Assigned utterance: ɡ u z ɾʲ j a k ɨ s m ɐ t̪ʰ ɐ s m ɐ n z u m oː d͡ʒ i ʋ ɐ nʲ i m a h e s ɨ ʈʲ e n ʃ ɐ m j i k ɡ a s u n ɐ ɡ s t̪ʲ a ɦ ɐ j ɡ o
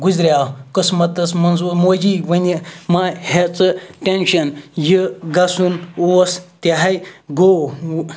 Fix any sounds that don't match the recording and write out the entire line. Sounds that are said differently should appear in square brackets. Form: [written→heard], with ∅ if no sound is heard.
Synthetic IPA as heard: ɡ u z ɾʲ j a k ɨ s m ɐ [t̪ʰ→t̪] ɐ s m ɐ n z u m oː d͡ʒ i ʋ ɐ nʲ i m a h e [s→t͡s] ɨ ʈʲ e n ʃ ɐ [m→n] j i [k→∅] ɡ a s u n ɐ [ɡ→∅] s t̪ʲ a ɦ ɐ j ɡ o

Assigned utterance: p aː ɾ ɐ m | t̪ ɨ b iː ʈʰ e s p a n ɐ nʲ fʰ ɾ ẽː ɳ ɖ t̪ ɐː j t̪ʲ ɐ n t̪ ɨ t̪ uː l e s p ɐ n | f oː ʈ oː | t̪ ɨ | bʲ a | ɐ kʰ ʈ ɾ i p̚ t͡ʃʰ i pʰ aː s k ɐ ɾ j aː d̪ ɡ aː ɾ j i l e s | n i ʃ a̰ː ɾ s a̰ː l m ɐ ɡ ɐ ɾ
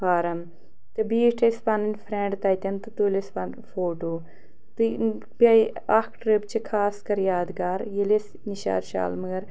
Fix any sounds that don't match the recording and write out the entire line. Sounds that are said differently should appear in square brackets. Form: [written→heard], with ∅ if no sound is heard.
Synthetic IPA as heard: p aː ɾ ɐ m | t̪ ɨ b iː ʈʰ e s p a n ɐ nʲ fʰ ɾ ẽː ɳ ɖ t̪ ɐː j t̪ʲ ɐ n t̪ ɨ t̪ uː l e s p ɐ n | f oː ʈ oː | t̪ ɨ | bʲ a | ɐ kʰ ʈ ɾ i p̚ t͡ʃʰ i [pʰ→kʰ] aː s k ɐ ɾ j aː d̪ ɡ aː ɾ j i l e s | n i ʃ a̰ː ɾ [s→ʃ] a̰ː l m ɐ ɡ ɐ ɾ

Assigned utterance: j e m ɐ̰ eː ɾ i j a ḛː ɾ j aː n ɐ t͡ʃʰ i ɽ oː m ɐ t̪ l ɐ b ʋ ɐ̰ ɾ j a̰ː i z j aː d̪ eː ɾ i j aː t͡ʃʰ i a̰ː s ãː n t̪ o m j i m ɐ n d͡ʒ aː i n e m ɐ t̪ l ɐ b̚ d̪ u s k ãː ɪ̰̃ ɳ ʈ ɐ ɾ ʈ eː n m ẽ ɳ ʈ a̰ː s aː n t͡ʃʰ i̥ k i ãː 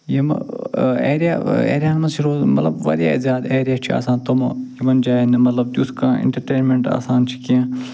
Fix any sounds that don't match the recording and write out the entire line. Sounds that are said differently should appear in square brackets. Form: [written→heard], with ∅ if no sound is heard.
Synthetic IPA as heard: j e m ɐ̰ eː ɾ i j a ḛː ɾ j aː n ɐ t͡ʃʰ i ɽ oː m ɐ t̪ l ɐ b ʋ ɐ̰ ɾ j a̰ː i z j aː d̪ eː ɾ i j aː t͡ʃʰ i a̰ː s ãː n t̪ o m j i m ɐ n d͡ʒ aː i n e m ɐ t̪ l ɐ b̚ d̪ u s k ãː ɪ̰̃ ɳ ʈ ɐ ɾ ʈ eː n m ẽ ɳ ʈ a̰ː s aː n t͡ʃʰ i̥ k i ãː

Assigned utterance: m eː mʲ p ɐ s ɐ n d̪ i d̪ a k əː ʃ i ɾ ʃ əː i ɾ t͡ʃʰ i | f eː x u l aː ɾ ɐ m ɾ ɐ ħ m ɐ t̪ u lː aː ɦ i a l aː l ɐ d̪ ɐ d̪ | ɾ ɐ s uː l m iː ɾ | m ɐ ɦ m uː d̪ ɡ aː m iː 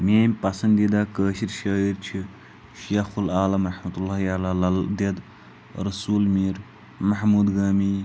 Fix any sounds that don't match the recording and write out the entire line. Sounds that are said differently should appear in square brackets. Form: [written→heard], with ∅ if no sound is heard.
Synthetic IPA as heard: m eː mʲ p ɐ s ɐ n d̪ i d̪ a k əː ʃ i ɾ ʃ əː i ɾ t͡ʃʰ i | [f→ʃ] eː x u l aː [ɾ→l] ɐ m ɾ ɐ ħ m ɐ t̪ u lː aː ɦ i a l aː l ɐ d̪ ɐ d̪ | ɾ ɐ s uː l m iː ɾ | m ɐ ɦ m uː d̪ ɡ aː m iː

